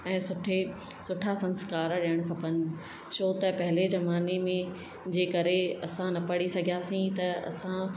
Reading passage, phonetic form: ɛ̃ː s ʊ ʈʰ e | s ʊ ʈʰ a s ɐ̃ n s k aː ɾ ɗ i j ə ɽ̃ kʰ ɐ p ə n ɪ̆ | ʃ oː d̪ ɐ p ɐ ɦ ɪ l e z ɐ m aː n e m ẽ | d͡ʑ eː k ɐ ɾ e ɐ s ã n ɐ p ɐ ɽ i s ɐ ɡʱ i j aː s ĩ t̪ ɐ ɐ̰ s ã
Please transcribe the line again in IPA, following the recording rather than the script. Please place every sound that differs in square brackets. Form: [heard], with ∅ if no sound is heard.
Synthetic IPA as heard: ɛ̃ː s ʊ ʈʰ e | s ʊ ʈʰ a s ɐ̃ n s k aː ɾ ɗ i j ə ɽ̃ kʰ ɐ p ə n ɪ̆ | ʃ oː [t̪] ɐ p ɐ ɦ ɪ l e z ɐ m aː n e m ẽ | d͡ʑ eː k ɐ ɾ e ɐ s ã n ɐ p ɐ ɽ i s ɐ ɡʱ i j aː s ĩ t̪ ɐ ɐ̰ s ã